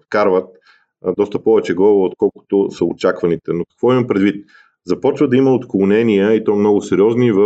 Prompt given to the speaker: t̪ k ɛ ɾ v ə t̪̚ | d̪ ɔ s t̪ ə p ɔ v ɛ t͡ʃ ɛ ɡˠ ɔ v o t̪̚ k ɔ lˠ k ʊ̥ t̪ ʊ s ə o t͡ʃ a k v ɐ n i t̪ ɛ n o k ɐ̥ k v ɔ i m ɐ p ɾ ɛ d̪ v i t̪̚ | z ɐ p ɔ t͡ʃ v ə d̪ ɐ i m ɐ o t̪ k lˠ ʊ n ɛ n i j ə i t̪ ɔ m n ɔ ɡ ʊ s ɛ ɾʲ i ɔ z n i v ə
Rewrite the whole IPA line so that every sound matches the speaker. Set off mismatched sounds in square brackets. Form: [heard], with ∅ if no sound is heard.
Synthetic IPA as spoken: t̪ k [a] ɾ v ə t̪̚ | d̪ ɔ s t̪ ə p ɔ v ɛ t͡ʃ ɛ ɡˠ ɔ v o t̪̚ k ɔ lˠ k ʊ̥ t̪ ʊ s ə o t͡ʃ a k v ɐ n i t̪ ɛ n o k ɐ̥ k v ɔ i m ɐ p ɾ ɛ d̪ v i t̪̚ | z ɐ p ɔ t͡ʃ v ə d̪ ɐ i m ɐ o t̪ k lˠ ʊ n ɛ n i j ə i t̪ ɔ m n ɔ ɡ ʊ s ɛ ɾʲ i ɔ z n i v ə